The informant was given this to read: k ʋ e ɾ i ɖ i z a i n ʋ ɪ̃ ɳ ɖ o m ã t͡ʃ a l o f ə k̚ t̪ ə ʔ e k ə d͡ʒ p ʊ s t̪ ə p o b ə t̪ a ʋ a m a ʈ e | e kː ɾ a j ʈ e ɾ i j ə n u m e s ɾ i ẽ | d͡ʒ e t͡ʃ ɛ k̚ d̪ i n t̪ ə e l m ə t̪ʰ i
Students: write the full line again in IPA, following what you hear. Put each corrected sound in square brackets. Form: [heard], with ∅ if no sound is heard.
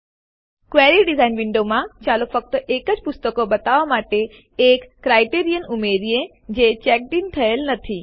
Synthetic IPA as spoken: k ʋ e ɾ i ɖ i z a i n ʋ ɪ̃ ɳ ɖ o m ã t͡ʃ a l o f ə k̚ t̪ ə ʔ e k ə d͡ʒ p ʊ s t̪ ə [k] o b ə t̪ a ʋ a m a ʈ e | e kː ɾ a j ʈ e ɾ i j ə n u m e [∅] ɾ i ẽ | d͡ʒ e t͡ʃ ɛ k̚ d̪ i n [t̪ʰ] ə e l [n] ə t̪ʰ i